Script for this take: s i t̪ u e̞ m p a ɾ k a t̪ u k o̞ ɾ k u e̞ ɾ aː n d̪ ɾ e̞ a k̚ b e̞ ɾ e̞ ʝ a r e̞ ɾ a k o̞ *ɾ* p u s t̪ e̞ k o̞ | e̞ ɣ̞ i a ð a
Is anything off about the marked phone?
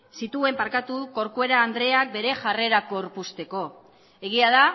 no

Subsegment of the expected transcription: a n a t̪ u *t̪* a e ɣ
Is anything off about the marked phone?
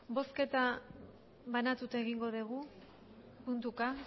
no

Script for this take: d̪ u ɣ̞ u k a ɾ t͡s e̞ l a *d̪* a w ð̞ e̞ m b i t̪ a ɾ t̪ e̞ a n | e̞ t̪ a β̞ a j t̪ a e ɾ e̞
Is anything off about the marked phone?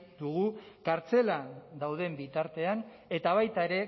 no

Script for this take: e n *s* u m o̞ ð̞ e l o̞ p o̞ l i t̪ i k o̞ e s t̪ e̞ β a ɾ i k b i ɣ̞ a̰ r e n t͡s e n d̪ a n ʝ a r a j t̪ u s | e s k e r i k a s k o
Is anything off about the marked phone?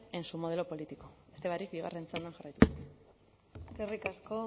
no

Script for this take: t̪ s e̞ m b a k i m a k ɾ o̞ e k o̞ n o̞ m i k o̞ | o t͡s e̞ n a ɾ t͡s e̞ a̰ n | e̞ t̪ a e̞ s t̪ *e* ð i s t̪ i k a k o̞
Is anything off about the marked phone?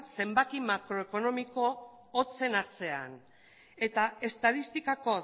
yes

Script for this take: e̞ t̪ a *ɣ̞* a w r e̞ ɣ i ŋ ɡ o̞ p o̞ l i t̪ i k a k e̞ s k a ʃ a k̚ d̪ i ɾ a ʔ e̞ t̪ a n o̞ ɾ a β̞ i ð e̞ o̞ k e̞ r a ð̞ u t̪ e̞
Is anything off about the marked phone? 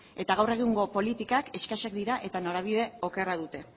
no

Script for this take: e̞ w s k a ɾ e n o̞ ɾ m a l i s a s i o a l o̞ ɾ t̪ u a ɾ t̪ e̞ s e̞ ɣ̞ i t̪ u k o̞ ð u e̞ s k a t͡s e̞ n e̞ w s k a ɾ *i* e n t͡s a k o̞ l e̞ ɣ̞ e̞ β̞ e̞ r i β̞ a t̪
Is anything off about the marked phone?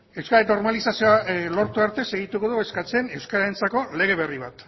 yes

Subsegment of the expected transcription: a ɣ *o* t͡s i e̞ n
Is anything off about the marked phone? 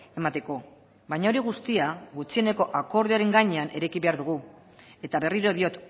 yes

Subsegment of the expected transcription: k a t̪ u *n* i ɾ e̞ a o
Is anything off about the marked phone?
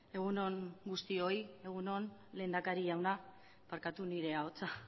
no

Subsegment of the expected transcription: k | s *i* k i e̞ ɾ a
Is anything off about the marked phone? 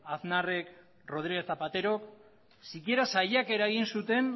no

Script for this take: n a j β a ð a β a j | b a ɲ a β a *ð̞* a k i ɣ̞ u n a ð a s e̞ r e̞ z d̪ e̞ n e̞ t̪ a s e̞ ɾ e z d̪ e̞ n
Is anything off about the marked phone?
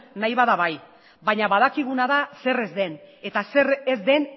no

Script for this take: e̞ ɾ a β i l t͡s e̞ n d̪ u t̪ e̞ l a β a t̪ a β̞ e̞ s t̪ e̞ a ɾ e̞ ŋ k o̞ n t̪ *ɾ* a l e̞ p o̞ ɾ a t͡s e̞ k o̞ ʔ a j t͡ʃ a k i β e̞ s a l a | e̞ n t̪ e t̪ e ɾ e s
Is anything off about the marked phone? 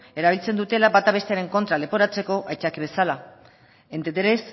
no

